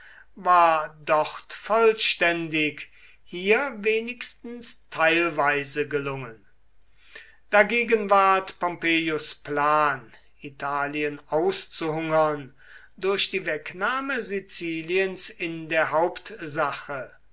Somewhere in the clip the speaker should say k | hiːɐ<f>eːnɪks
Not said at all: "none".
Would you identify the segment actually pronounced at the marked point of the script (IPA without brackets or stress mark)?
v